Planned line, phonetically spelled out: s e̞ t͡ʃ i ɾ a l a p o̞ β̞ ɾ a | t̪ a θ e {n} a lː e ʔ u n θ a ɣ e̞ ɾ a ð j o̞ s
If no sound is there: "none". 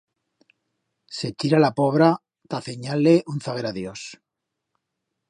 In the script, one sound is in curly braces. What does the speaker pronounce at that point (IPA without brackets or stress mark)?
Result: ɲ